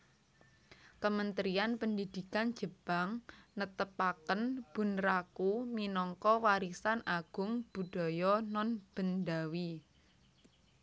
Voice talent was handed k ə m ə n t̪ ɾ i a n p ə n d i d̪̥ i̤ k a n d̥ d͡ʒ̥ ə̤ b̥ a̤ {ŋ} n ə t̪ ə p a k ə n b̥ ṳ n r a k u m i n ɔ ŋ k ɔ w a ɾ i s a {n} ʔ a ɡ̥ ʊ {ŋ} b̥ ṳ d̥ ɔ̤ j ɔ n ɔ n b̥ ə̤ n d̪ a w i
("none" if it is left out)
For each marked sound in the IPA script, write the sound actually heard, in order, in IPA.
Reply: ŋ, n, ŋ

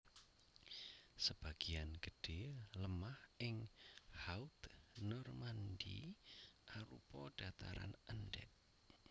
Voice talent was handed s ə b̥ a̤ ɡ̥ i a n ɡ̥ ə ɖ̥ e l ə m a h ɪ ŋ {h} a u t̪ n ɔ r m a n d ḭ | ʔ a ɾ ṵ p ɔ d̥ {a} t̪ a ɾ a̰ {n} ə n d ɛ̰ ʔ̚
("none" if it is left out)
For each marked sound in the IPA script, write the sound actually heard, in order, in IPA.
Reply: h, a, n

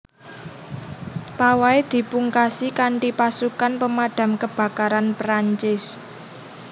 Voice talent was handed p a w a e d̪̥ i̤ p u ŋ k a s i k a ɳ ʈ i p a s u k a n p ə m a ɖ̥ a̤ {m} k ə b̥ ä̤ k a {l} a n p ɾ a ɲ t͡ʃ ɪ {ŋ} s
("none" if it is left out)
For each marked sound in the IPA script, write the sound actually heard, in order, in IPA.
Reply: m, ɾ, none

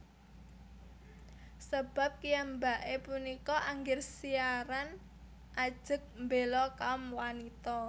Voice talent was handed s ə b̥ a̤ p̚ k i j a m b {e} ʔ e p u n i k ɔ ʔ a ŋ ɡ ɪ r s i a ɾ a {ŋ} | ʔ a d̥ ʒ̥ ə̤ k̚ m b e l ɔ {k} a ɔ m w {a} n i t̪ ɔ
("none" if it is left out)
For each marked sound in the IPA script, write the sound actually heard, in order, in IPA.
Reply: a, n, k, a

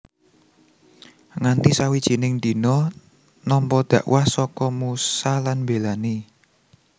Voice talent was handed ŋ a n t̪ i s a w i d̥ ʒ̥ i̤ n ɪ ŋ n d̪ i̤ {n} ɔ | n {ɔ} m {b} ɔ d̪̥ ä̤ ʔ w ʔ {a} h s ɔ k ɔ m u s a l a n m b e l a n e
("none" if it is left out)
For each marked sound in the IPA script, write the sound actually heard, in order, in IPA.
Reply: n, ɔ, p, a

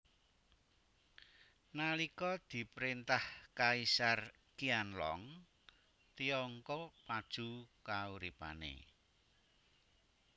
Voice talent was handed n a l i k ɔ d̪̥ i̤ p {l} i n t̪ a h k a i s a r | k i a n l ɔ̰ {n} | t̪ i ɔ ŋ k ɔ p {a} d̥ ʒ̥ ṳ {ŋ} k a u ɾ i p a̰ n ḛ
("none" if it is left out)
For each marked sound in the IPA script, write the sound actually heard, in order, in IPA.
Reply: ɾ, ŋ, a, none

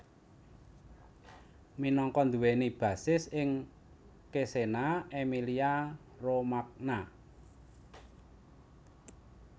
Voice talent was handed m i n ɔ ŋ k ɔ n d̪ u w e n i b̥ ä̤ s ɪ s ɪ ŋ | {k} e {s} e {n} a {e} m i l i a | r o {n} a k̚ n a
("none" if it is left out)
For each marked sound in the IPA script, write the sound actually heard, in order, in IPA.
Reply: k, s, n, e, m

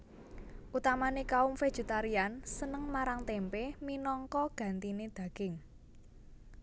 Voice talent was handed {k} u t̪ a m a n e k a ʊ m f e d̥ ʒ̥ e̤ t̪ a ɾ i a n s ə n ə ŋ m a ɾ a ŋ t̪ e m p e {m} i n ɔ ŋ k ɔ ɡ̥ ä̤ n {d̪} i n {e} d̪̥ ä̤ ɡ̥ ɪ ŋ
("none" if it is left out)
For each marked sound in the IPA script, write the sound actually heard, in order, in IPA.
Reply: ʔ, m, t̪, e

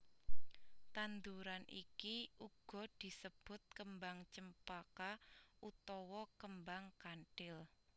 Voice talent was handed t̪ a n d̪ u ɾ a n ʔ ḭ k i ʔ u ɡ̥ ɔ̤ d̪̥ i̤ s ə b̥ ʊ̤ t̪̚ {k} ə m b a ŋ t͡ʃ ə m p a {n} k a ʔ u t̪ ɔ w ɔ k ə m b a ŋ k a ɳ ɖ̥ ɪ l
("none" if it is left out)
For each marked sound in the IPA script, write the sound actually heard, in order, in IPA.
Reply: k, none

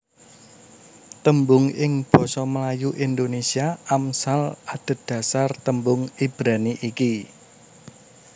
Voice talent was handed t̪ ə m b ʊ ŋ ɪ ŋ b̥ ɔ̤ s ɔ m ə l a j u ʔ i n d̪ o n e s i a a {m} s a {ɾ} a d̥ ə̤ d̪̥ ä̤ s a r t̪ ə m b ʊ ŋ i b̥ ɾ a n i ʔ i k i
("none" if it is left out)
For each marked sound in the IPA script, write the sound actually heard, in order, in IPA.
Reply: m, l

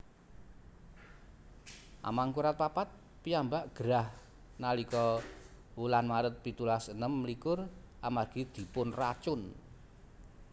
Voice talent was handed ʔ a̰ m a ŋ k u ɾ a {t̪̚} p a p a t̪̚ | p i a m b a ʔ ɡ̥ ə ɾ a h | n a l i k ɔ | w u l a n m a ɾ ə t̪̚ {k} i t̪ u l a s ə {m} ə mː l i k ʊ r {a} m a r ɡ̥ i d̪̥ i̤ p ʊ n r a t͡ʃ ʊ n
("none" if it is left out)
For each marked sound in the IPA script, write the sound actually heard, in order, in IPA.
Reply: t̪̚, p, n, a

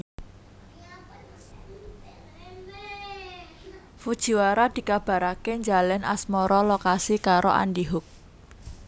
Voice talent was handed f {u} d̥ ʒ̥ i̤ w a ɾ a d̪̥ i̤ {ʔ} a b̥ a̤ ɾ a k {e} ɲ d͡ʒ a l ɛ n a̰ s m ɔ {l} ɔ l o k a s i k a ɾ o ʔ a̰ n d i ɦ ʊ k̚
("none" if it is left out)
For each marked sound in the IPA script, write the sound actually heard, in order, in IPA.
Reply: u, k, e, ɾ

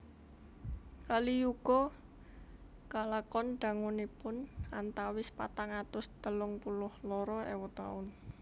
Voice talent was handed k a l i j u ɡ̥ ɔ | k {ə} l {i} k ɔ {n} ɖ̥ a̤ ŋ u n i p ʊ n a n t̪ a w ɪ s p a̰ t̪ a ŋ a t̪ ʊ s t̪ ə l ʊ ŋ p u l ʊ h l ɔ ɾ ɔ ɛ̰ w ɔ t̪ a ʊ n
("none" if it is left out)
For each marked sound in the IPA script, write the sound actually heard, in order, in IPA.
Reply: a, a, n

